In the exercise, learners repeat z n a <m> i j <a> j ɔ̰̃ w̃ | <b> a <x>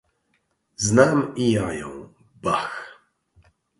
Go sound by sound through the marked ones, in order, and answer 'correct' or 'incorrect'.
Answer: correct, correct, correct, correct

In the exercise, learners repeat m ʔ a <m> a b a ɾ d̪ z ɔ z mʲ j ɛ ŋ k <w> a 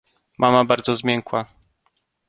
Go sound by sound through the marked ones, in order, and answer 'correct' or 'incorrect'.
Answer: correct, correct

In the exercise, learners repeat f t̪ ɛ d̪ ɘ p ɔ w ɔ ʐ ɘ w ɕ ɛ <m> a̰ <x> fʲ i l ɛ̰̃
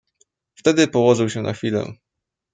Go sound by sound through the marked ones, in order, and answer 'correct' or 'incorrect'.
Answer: incorrect, correct

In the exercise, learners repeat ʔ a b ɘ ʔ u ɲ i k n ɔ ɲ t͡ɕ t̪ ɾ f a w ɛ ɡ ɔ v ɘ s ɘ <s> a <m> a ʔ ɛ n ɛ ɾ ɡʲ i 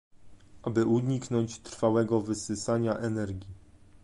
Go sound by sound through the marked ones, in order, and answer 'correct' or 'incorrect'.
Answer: correct, incorrect

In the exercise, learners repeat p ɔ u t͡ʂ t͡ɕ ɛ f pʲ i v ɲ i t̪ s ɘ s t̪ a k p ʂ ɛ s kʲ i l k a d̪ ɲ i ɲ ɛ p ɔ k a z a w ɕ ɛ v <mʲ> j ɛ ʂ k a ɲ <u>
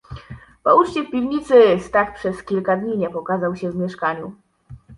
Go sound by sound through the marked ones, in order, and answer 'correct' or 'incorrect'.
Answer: correct, correct

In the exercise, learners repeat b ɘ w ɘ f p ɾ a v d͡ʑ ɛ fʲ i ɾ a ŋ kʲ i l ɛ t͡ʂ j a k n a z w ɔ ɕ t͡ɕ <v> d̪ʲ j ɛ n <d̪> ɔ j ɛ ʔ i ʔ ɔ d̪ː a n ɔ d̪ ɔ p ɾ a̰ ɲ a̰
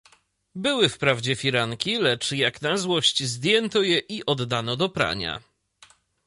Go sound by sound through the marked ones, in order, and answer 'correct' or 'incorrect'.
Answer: incorrect, incorrect

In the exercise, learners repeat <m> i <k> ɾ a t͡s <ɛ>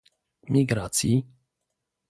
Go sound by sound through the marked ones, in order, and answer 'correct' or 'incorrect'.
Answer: correct, incorrect, incorrect

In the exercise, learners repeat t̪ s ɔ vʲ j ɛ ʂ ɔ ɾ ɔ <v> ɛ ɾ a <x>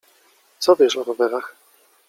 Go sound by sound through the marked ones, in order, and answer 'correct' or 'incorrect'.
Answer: correct, correct

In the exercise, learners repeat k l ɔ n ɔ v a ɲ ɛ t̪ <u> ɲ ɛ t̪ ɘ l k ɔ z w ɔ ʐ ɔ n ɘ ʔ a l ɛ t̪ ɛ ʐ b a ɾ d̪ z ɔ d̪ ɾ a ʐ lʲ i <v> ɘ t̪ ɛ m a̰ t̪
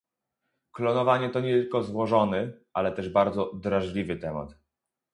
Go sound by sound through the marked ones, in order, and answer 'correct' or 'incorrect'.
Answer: incorrect, correct

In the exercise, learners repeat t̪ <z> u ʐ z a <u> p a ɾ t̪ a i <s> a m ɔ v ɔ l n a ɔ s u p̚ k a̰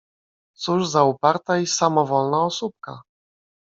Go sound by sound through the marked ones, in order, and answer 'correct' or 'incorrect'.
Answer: incorrect, correct, correct

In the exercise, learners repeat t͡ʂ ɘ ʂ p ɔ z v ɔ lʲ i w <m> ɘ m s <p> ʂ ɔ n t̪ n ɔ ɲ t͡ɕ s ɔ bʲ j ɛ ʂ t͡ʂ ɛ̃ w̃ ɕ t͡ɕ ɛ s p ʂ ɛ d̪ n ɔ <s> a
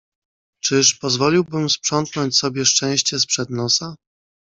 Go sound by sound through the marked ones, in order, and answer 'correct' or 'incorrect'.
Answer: incorrect, correct, correct

